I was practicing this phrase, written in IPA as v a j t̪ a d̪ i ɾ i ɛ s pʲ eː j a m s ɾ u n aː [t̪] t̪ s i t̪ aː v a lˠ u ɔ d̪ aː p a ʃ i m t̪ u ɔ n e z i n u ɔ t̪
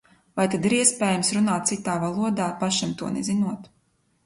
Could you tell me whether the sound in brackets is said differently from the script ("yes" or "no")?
no